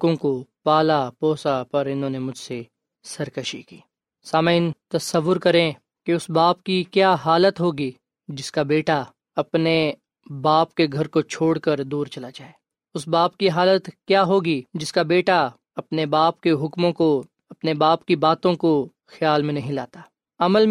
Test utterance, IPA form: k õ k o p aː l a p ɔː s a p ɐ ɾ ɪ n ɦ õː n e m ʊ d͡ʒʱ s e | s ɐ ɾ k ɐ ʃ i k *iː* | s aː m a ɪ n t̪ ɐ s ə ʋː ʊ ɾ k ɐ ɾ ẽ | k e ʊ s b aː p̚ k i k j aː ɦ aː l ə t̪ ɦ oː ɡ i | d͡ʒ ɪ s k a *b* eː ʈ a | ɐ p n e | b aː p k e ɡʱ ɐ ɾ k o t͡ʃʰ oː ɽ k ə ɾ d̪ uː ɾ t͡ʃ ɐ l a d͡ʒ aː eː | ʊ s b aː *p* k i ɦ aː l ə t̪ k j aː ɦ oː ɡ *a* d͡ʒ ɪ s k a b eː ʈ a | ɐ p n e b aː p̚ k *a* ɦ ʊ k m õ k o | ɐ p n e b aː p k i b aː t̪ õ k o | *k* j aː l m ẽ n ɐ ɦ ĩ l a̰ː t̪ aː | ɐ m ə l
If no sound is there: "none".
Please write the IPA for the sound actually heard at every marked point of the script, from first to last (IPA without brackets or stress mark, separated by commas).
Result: iː, b, p, i, e, x